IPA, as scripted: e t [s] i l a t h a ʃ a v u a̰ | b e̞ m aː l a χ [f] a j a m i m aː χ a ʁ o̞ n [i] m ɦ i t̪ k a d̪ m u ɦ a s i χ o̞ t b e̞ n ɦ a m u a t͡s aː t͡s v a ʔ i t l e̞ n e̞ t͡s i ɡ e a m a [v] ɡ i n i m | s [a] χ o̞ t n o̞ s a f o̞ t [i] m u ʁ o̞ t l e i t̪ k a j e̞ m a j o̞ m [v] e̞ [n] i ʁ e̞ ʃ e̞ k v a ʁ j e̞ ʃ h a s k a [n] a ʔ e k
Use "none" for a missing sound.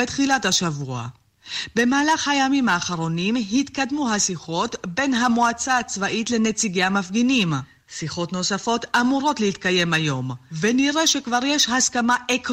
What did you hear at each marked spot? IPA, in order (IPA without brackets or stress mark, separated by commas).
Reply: χ, h, i, f, i, a, v, n, m